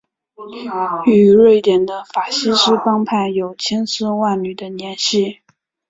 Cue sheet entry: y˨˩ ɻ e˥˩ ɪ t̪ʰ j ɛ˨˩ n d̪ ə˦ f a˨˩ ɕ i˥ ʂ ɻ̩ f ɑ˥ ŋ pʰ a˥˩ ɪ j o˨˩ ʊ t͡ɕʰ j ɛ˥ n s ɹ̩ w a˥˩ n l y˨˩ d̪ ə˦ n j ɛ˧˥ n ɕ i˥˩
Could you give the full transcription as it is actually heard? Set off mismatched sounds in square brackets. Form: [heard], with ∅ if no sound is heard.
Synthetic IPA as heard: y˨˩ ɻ e˥˩ ɪ [t̪] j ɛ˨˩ n d̪ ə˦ f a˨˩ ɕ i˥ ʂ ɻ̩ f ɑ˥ ŋ pʰ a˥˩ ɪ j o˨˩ ʊ t͡ɕʰ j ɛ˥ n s ɹ̩ w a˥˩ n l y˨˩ d̪ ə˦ n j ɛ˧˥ n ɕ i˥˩